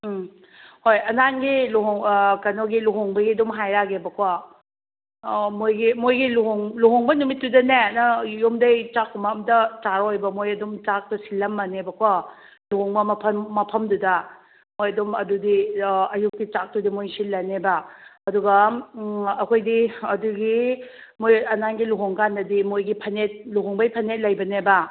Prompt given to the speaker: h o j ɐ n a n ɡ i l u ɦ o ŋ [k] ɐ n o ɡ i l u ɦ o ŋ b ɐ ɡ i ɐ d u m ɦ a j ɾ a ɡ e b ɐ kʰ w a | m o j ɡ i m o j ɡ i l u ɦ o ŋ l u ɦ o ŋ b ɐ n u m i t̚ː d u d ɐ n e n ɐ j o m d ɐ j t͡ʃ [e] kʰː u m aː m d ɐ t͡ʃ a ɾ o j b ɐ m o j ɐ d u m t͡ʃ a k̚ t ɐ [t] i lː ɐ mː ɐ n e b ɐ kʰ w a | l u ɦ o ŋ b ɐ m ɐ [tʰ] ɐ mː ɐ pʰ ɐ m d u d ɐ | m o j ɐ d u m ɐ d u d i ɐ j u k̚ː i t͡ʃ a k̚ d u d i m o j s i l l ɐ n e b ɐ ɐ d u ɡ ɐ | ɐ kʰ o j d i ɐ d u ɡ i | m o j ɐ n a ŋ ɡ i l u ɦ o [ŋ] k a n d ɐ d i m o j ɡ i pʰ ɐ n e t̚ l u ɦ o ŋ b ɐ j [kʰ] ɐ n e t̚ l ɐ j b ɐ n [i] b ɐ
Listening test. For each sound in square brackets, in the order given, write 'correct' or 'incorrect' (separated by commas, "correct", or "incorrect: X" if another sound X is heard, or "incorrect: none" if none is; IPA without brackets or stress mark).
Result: correct, incorrect: a, incorrect: s, incorrect: pʰ, correct, incorrect: pʰ, incorrect: e